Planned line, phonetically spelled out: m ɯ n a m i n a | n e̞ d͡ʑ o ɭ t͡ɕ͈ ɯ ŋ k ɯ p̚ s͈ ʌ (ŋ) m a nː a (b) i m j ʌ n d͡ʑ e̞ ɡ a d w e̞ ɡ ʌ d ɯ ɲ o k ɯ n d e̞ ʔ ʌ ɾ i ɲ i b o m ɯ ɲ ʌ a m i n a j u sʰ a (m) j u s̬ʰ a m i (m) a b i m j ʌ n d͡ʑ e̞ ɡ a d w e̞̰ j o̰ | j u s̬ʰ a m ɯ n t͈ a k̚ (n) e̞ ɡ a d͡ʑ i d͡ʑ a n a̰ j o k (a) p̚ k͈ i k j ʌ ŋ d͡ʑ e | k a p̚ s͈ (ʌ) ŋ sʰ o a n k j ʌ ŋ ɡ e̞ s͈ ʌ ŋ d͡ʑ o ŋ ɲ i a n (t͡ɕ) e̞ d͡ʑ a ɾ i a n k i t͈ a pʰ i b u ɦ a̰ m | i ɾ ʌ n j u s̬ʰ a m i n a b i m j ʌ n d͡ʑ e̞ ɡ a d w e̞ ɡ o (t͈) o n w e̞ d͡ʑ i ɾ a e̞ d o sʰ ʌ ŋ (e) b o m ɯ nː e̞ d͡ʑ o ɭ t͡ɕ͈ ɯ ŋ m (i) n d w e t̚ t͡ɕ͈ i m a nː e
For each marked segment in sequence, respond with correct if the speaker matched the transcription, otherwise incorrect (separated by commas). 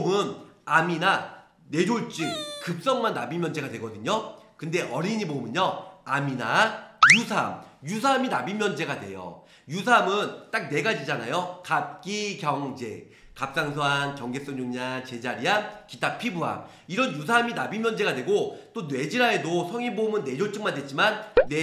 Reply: correct, correct, correct, incorrect, correct, correct, incorrect, correct, correct, incorrect, incorrect